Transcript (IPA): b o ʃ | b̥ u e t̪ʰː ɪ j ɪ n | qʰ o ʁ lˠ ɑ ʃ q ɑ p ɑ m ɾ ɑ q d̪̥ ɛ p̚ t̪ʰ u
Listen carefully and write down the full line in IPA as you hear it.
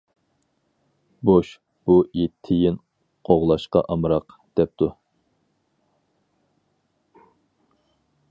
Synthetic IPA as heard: b o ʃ | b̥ u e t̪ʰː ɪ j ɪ n | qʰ o ʁ lˠ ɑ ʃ q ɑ ʔ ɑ m ɾ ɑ q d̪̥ ɛ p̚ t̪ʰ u